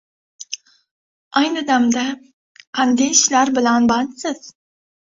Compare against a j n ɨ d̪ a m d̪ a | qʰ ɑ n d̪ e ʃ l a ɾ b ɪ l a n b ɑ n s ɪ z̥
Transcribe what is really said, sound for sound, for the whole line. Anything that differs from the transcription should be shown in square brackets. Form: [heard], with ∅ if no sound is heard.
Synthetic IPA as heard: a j n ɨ d̪ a m d̪ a | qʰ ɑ n d̪ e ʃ l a ɾ b ɪ l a n b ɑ n s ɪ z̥